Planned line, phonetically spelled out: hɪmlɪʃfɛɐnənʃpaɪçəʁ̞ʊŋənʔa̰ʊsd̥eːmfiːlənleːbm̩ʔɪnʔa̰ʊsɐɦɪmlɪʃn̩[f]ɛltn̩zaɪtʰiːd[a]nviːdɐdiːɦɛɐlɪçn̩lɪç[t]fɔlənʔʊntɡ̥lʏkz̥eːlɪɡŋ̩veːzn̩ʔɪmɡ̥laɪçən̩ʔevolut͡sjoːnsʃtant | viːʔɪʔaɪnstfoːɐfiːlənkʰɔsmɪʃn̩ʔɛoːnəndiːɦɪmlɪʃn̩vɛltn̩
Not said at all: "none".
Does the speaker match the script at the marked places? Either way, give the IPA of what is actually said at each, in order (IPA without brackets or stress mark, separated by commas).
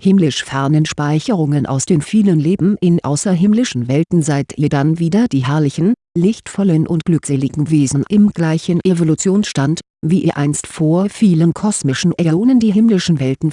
v, a, t